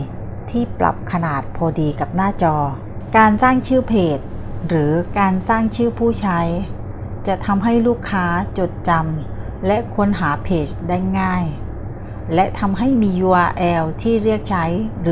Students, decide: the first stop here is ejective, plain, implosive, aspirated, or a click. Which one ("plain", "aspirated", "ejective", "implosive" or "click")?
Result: aspirated